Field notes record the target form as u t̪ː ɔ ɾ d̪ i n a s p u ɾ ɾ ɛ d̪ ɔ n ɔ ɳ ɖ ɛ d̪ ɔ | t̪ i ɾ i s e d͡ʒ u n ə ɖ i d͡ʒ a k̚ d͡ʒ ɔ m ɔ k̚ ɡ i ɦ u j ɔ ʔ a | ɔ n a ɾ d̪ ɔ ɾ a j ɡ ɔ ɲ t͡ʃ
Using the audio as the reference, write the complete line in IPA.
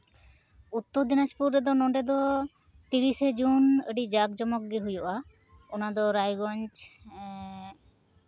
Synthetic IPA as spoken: u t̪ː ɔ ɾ d̪ i n a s p u ɾ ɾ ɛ d̪ ɔ n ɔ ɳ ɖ ɛ d̪ ɔ | t̪ i ɾ i s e d͡ʒ u n ə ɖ i d͡ʒ a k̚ d͡ʒ ɔ m ɔ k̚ ɡ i ɦ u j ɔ ʔ a | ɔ n a d̪ ɔ ɾ a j ɡ ɔ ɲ t͡ʃ